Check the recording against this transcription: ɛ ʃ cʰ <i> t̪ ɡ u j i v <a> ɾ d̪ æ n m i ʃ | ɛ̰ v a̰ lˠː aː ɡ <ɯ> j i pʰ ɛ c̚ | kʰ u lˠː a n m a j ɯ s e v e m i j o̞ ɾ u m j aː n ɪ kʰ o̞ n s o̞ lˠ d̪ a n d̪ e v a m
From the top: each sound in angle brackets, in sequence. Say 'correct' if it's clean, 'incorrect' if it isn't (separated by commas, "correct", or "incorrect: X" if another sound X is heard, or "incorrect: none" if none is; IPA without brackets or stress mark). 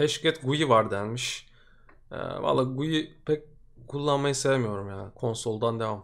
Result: incorrect: ɛ, correct, incorrect: u